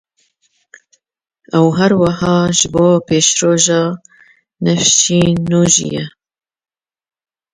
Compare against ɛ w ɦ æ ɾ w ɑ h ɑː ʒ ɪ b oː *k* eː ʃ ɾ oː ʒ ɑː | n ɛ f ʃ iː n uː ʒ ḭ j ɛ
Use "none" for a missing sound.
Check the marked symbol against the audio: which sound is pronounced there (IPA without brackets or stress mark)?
p